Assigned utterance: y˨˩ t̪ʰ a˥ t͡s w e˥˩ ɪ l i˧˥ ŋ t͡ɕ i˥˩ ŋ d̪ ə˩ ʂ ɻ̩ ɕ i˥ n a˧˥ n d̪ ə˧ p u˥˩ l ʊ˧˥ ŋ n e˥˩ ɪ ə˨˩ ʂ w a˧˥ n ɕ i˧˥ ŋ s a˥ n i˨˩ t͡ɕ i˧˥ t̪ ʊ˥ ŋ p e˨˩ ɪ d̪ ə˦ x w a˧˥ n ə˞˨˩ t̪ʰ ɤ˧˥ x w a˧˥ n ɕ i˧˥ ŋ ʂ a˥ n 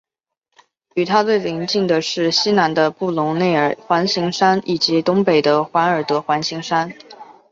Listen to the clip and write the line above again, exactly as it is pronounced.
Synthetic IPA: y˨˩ t̪ʰ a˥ t͡s w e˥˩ ɪ l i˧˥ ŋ t͡ɕ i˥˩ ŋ d̪ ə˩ ʂ ɻ̩ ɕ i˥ n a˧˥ n d̪ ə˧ p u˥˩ l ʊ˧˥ ŋ n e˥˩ ɪ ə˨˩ x w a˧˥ n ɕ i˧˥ ŋ ʂ a˥ n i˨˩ t͡ɕ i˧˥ t̪ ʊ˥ ŋ p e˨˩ ɪ d̪ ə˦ x w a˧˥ n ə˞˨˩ t̪ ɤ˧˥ x w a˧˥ n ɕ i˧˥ ŋ ʂ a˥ n